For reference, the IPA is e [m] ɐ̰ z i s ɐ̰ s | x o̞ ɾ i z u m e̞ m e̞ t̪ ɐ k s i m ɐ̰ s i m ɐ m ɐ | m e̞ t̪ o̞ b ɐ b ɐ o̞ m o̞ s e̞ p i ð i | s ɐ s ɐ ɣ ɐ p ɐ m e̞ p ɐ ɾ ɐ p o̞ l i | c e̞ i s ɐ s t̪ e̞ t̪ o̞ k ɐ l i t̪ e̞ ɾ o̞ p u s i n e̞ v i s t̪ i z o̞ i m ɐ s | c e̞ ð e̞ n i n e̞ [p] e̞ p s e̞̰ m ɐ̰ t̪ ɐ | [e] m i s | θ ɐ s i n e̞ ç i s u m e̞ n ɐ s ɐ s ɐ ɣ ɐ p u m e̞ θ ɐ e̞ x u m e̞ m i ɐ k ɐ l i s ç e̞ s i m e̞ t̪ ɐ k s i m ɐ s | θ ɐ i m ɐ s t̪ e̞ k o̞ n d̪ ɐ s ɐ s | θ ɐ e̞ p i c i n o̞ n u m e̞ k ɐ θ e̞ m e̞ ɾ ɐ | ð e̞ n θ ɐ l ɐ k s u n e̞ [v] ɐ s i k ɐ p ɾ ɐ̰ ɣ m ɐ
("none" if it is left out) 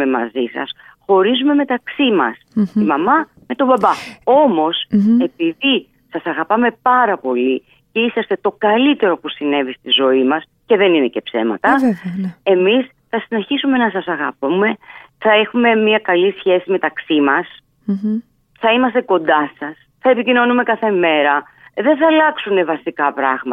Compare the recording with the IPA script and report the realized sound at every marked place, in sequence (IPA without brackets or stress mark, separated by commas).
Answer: m, c, e, v